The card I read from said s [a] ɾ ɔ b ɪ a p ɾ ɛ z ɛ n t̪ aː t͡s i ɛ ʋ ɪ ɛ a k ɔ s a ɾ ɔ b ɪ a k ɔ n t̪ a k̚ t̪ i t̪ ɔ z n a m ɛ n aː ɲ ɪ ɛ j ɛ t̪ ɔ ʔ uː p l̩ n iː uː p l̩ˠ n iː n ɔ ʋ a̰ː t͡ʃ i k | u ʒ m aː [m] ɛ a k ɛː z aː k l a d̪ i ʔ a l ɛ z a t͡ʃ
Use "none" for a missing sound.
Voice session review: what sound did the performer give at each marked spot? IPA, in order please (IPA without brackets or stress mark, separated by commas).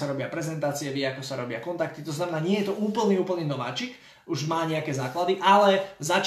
a, ɲ